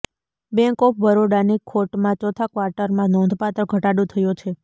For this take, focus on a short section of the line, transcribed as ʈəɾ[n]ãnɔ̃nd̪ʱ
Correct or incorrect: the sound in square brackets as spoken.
incorrect: m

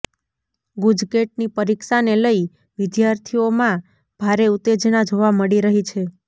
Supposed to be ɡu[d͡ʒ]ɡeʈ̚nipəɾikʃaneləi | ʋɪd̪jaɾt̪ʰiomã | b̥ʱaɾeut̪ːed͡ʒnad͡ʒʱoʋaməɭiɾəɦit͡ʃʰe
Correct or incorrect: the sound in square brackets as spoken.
correct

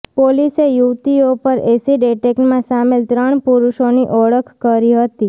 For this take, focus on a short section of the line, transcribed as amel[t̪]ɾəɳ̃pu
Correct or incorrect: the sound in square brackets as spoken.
correct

